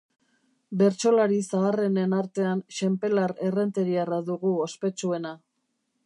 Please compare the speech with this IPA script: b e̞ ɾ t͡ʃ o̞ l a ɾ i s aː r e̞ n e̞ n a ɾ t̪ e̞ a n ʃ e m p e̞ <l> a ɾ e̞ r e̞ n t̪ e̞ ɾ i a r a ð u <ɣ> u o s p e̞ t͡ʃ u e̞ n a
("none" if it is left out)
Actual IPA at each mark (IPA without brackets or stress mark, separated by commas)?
l, ɣ